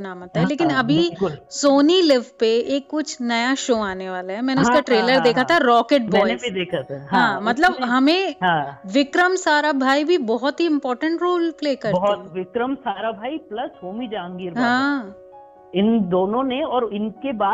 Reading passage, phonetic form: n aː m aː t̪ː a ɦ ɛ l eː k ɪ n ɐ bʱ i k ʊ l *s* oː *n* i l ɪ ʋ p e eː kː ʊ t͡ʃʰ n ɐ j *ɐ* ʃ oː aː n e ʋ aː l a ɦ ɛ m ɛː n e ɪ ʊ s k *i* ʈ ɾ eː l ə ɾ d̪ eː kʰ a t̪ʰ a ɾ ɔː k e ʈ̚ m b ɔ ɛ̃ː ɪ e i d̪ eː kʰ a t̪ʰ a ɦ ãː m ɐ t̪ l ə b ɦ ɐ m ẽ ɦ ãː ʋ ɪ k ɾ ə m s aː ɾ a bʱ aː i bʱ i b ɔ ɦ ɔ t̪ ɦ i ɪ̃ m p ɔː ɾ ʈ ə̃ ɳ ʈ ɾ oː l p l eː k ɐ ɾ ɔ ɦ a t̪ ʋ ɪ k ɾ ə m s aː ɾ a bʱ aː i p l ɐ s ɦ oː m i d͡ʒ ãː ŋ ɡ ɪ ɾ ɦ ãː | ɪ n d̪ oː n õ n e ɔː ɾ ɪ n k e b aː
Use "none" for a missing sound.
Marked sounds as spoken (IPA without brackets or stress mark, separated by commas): s, n, a, a